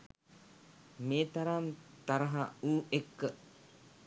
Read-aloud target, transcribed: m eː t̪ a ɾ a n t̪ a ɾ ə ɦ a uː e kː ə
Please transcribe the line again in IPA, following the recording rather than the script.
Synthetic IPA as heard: m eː t̪ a ɾ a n t̪ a ɾ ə ɦ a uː e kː ə